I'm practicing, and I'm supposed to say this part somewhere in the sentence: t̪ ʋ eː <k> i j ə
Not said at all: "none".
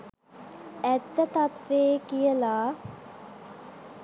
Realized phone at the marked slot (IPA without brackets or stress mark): k